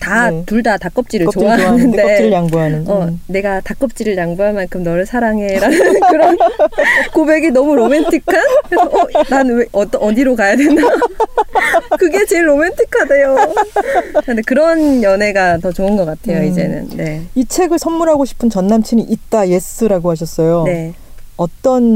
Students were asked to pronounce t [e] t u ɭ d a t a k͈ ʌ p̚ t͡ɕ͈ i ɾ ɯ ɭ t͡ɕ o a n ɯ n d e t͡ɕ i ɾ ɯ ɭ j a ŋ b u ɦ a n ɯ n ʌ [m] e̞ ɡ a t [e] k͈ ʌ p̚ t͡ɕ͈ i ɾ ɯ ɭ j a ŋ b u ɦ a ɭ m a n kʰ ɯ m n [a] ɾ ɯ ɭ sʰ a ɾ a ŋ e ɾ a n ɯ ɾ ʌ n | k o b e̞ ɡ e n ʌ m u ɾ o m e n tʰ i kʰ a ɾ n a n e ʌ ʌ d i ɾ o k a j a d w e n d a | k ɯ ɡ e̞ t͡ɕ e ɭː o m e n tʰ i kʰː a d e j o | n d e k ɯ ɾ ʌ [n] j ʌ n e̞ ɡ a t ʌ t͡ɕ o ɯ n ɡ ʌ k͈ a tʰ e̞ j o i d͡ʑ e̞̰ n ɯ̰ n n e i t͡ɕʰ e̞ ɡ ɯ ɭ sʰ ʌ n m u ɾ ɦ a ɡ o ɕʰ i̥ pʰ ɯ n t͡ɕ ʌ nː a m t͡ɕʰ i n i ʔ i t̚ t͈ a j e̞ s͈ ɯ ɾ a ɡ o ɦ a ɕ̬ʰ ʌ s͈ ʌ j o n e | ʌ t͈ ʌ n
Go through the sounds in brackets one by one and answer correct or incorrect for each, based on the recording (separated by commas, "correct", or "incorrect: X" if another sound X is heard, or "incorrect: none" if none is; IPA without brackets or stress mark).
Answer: incorrect: a, incorrect: n, incorrect: a, incorrect: ʌ, correct